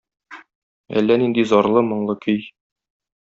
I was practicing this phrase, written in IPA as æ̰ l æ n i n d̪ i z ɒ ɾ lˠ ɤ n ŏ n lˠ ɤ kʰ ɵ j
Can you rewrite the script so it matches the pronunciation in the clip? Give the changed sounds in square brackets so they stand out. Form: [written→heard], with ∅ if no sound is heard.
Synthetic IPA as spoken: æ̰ [l→lː] æ n i n d̪ i z ɒ ɾ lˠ ɤ [n→m] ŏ [n→ɴ] lˠ ɤ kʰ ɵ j